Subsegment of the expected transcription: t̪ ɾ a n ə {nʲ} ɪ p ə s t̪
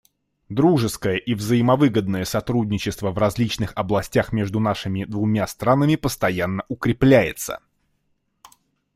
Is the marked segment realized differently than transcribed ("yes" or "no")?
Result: yes